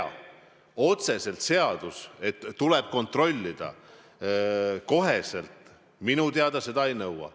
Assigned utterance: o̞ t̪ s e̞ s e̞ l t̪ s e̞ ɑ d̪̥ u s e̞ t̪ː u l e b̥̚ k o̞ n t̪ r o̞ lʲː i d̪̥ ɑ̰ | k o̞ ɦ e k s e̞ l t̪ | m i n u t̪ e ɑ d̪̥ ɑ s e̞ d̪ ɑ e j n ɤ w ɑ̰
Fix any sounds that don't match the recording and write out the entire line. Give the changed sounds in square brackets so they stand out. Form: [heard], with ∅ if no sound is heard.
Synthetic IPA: o̞ t̪ s e̞ s e̞ l t̪ s e̞ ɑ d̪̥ u s e̞ t̪ː u l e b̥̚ k o̞ n t̪ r o̞ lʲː i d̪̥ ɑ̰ | k o̞ ɦ e [∅] s e̞ l t̪ | m i n u t̪ e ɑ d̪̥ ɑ s e̞ d̪ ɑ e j n ɤ w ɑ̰